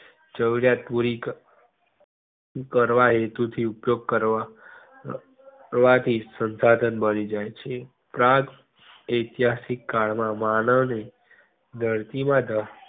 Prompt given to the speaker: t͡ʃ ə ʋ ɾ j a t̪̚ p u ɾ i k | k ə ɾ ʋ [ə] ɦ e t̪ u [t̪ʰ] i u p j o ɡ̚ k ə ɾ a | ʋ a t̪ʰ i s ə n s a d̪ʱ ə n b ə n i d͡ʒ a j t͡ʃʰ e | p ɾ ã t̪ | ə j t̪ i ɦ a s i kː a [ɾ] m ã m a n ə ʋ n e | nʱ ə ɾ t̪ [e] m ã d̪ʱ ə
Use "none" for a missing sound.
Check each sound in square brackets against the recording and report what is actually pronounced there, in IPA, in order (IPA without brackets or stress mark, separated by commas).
a, t̪ʰ, ɭ, i